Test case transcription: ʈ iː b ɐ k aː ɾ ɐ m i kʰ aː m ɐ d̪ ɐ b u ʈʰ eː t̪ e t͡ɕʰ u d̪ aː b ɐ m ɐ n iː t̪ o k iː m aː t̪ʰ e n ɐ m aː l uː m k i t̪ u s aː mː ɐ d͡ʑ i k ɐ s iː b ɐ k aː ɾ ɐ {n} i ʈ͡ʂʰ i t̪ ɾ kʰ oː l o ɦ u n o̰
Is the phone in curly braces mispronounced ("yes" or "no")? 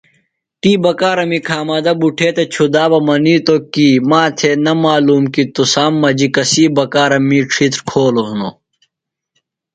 yes